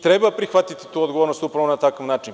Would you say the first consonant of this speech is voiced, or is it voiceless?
voiceless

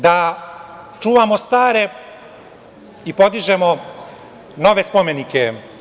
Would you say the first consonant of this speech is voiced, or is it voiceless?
voiced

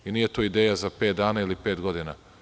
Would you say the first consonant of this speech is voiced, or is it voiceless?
voiced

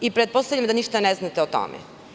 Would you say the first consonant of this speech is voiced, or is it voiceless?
voiceless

